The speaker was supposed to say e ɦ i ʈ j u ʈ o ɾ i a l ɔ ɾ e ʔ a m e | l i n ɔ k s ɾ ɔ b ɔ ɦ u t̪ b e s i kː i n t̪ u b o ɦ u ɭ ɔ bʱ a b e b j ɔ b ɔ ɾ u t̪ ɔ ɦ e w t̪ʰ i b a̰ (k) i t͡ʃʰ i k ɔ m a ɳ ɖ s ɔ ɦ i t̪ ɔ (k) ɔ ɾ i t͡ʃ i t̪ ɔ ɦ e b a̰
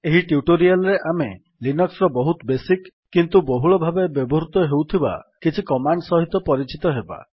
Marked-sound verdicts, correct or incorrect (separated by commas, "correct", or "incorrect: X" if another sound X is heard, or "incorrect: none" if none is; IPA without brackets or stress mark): correct, incorrect: p